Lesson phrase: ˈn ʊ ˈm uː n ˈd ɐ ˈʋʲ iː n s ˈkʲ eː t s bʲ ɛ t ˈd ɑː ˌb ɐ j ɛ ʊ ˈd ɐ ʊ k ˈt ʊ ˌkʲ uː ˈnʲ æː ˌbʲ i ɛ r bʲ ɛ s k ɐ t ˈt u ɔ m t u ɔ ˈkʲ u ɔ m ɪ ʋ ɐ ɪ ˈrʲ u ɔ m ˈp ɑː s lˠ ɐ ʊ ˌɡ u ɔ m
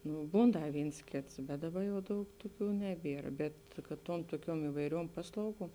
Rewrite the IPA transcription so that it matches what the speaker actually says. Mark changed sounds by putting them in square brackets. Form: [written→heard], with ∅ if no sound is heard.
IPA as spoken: ˈn ʊ [ˈm→ˈb] uː n ˈd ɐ ˈʋʲ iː n s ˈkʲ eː t s bʲ ɛ t ˈd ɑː ˌb ɐ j ɛ ʊ ˈd ɐ ʊ k ˈt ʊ ˌkʲ uː ˈnʲ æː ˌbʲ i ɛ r bʲ ɛ [s→t] k ɐ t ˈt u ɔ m t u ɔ ˈkʲ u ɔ m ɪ ʋ ɐ ɪ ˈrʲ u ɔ m ˈp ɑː s lˠ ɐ ʊ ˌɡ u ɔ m